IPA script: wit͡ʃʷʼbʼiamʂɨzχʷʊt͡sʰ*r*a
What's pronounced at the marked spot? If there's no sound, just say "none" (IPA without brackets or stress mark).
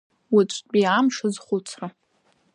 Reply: r